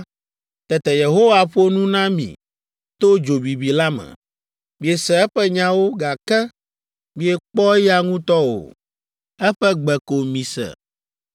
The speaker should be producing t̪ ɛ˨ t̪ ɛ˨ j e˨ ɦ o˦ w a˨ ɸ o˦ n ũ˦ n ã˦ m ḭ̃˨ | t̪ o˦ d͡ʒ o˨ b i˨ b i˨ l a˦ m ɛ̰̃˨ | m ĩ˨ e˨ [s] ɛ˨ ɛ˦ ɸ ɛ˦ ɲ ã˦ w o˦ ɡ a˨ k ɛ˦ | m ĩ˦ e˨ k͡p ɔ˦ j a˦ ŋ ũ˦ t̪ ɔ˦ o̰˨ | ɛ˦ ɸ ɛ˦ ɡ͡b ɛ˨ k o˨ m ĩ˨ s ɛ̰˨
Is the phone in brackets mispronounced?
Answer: no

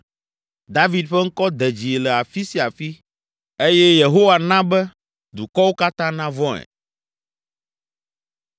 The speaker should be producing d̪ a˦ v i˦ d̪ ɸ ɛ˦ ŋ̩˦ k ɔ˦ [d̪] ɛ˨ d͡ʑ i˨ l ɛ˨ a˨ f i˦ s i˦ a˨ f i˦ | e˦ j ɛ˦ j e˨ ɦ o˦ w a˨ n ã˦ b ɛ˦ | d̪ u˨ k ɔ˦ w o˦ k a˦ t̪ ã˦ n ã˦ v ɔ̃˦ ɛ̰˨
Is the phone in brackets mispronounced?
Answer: no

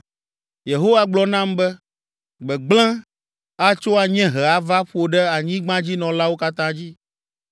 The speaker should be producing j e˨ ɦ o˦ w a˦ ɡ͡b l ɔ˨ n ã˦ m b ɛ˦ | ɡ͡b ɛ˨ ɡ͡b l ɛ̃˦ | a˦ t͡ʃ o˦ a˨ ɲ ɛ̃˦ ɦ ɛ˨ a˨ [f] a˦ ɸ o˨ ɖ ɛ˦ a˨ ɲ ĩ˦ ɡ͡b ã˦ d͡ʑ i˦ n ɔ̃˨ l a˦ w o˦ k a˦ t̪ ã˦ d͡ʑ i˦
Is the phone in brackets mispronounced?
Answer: yes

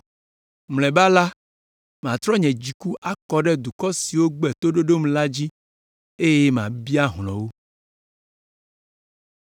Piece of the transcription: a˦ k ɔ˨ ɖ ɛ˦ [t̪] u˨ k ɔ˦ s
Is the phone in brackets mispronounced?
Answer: yes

